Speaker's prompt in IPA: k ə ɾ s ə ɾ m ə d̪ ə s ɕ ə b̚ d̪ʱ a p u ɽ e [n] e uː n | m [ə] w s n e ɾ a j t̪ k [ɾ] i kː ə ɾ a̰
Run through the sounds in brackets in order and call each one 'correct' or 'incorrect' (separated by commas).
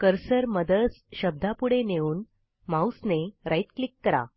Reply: correct, incorrect, incorrect